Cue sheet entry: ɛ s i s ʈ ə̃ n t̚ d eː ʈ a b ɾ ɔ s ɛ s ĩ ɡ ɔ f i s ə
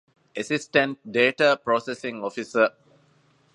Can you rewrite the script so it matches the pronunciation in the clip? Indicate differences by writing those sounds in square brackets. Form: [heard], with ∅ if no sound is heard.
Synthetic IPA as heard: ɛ s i s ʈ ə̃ n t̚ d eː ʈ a [p] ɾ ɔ s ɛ s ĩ [ŋ] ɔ f i s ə